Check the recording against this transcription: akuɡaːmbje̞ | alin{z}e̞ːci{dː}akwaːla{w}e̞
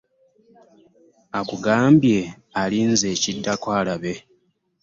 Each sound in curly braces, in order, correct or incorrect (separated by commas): correct, correct, incorrect